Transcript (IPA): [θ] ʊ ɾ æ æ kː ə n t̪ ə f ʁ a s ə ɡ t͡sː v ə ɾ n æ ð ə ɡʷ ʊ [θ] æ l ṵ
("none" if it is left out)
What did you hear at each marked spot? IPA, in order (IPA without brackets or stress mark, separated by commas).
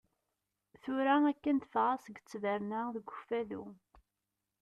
θ, f